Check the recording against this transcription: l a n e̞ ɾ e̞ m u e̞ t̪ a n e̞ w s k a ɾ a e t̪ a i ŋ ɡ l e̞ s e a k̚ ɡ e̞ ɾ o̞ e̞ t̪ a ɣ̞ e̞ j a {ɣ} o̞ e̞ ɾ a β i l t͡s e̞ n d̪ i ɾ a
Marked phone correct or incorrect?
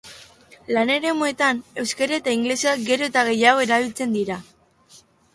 correct